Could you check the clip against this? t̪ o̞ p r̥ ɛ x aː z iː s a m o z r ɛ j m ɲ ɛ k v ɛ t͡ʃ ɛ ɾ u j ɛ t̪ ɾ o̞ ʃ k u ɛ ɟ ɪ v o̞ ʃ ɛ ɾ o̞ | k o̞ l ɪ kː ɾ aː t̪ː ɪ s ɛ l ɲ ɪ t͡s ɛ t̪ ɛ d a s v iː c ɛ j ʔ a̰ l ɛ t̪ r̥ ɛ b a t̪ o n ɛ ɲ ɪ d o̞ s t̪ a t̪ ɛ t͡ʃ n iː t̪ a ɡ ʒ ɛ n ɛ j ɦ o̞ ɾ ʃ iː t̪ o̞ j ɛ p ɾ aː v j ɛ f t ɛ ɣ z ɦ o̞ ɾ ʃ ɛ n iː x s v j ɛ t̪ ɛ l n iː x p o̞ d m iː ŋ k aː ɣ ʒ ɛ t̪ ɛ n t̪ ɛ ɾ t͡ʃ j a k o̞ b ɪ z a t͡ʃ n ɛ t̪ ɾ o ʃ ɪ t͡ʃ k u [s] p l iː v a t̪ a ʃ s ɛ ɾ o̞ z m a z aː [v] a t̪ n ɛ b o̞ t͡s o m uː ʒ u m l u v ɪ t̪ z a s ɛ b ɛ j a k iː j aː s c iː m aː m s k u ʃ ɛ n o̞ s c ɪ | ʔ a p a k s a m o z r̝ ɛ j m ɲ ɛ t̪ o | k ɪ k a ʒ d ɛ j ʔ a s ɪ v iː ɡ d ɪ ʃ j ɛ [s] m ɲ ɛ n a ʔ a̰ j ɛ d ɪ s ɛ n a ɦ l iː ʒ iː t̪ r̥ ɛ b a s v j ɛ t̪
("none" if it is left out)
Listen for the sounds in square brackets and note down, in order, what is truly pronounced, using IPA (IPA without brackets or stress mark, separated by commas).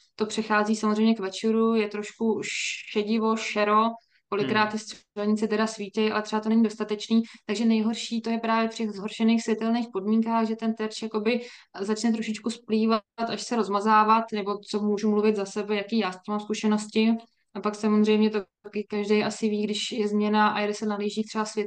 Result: s, v, z